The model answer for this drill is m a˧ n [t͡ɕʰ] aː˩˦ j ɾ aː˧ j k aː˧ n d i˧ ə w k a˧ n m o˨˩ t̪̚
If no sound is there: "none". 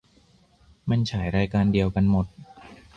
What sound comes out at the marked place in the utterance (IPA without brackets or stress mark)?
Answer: t͡ɕʰ